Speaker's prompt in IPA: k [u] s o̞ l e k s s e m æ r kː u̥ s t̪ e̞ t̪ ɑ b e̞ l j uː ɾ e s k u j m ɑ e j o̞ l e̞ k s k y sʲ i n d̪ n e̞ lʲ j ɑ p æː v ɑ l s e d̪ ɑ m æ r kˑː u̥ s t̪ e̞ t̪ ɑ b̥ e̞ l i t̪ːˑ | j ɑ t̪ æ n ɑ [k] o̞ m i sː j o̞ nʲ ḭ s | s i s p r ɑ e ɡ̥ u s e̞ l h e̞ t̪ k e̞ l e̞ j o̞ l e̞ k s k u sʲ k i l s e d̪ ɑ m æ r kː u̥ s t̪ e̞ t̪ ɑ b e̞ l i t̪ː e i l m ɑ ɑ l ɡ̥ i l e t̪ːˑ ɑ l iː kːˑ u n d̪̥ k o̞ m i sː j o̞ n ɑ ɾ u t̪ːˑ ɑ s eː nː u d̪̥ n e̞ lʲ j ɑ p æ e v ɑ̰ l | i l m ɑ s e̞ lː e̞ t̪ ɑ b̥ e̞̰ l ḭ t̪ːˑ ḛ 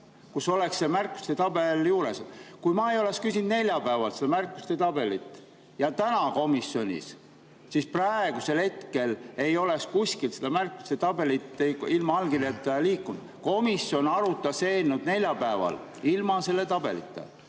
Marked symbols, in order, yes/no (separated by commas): yes, yes